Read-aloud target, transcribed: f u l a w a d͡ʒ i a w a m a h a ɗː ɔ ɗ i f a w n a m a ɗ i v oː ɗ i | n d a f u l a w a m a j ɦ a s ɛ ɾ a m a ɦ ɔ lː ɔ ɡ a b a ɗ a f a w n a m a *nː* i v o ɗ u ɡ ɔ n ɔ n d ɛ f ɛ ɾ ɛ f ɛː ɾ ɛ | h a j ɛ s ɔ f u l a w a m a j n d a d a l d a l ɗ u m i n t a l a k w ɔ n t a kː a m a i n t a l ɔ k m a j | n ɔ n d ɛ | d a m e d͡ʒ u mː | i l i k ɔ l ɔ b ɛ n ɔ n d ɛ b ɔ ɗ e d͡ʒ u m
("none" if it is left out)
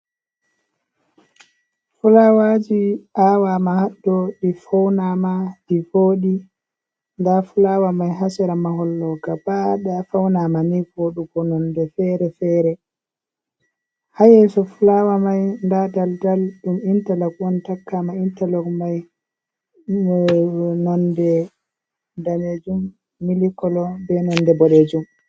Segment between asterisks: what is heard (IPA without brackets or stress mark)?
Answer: n